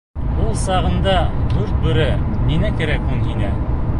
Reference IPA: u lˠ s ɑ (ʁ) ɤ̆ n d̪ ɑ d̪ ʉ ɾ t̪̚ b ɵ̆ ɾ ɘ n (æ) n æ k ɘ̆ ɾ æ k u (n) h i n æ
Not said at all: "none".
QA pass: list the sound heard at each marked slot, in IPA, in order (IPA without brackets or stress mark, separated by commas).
ʁ, i, n